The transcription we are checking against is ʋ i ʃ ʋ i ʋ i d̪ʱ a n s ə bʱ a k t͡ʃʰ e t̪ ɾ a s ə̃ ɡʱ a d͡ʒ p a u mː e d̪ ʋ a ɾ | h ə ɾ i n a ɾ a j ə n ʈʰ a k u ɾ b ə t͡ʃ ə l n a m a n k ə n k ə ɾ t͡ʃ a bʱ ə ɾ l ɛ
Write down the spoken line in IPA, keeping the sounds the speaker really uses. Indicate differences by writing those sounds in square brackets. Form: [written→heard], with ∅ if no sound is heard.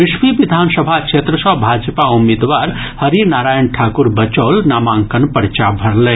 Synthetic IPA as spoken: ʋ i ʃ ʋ i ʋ i d̪ʱ a n s ə bʱ a k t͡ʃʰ e t̪ ɾ [a→ə] s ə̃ [ɡʱ→bʱ] a d͡ʒ p a u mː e d̪ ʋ a ɾ | h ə ɾ i n a ɾ a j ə n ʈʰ a k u ɾ b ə t͡ʃ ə l n a m a [n→ŋ] k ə n [k→p] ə ɾ t͡ʃ a bʱ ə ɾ l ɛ